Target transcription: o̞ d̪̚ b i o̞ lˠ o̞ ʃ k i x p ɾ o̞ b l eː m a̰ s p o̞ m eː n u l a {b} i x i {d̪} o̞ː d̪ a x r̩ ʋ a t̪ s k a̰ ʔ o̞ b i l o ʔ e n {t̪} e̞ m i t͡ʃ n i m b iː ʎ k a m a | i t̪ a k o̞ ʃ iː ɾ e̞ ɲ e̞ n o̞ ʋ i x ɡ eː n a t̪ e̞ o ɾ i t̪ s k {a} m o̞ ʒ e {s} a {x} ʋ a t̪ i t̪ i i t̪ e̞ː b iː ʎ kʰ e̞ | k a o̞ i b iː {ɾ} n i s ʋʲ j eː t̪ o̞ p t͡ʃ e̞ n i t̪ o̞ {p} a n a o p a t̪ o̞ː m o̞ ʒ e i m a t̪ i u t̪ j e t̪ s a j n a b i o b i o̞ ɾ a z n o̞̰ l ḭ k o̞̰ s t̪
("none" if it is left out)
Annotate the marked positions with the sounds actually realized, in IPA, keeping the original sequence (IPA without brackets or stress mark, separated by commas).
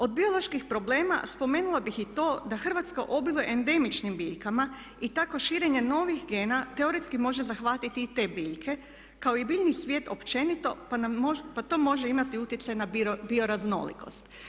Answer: b, t̪, d̪, i, z, x, ʎ, p